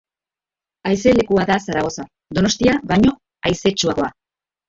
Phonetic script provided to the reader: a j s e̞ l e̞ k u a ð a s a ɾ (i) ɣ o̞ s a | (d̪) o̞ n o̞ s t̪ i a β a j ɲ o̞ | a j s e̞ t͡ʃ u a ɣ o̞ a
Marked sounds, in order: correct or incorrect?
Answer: incorrect: a, correct

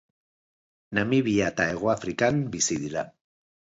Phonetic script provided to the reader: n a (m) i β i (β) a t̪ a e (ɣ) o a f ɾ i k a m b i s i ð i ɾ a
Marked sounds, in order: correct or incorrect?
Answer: correct, incorrect: none, correct

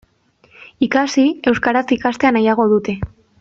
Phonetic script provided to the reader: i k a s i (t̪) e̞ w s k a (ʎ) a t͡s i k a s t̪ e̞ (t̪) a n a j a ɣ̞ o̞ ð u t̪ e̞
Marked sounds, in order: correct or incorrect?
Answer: incorrect: none, incorrect: ɾ, incorrect: none

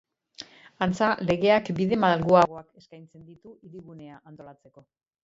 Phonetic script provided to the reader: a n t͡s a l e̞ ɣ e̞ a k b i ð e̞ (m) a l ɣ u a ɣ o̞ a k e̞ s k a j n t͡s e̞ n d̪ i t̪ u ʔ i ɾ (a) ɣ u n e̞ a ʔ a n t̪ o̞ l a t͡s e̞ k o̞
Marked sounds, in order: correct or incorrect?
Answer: correct, incorrect: i

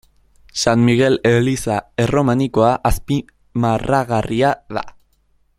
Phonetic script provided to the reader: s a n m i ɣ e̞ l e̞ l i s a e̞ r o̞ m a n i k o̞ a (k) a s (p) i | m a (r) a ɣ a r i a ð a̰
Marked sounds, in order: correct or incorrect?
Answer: incorrect: ʔ, correct, correct

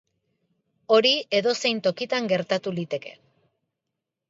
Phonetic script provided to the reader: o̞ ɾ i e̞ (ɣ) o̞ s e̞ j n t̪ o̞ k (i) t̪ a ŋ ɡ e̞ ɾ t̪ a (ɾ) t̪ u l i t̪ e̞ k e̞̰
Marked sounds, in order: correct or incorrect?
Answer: incorrect: ð, correct, incorrect: none

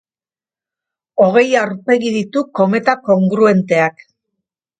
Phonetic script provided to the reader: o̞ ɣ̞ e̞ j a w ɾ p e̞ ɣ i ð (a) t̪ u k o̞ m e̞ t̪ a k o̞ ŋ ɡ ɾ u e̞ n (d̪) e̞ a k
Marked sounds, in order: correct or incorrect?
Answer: incorrect: i, incorrect: t̪

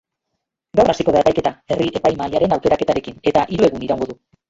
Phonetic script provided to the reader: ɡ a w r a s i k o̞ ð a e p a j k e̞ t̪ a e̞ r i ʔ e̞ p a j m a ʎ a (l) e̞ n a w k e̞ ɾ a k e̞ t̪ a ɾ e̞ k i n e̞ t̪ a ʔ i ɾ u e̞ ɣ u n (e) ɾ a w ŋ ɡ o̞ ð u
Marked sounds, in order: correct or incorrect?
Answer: incorrect: ɾ, incorrect: i

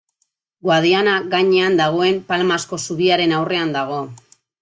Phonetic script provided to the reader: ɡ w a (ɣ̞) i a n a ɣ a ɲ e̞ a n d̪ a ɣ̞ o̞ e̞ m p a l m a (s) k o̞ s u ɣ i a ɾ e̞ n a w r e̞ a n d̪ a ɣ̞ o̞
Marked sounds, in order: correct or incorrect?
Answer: incorrect: ð̞, correct

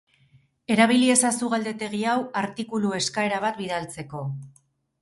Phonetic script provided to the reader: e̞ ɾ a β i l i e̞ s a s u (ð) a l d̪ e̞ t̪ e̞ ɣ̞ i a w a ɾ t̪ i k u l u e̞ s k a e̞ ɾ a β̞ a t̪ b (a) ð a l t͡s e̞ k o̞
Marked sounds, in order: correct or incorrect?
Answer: incorrect: ɣ, incorrect: i

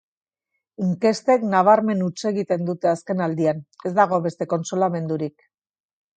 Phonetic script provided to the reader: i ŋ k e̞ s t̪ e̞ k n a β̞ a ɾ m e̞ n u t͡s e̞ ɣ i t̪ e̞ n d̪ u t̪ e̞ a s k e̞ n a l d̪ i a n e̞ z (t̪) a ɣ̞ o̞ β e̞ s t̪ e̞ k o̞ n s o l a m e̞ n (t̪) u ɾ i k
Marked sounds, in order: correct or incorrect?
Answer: incorrect: d̪, incorrect: d̪

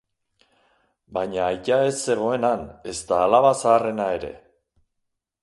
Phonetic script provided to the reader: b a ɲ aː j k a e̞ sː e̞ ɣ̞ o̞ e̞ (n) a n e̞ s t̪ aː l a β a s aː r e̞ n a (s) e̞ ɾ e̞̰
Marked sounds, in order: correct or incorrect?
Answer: correct, incorrect: none

